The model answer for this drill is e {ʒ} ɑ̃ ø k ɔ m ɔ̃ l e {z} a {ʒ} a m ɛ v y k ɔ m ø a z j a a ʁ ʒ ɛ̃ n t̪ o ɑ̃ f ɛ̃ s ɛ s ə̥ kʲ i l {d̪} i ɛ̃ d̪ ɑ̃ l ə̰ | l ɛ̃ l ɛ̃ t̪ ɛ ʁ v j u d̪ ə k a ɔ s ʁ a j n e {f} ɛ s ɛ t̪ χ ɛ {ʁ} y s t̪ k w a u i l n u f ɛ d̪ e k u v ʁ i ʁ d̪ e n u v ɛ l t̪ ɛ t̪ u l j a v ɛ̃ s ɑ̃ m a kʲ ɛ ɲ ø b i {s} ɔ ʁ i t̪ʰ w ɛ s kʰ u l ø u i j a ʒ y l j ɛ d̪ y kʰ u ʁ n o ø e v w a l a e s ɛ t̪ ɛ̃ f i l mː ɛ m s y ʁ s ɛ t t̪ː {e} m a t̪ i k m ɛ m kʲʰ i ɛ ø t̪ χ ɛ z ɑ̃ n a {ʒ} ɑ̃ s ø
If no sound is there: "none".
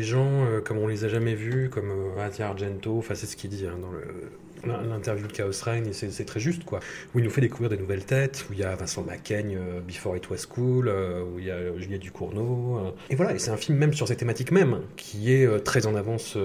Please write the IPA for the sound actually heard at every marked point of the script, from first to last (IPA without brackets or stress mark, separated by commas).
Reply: ʒ, z, ʒ, d̪, s, ʒ, f, e, v